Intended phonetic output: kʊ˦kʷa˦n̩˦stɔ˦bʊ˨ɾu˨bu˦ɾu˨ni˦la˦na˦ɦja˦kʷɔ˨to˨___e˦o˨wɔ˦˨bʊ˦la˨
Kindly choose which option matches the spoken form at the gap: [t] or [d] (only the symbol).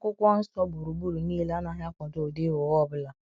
d